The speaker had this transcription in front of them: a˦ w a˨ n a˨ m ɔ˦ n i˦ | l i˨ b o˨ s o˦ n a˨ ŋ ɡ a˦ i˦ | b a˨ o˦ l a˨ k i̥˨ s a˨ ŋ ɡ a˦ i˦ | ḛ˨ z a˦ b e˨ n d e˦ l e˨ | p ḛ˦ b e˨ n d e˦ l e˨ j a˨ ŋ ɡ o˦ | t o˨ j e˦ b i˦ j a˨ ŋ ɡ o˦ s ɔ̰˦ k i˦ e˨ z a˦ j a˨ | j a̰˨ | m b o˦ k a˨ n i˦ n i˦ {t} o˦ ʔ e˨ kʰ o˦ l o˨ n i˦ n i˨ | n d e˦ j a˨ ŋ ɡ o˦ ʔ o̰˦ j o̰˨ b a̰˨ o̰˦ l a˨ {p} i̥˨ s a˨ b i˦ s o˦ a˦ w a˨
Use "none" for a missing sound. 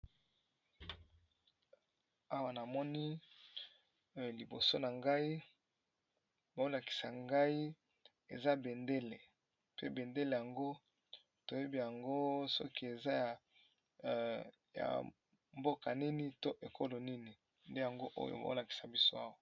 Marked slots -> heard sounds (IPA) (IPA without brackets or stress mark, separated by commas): t, k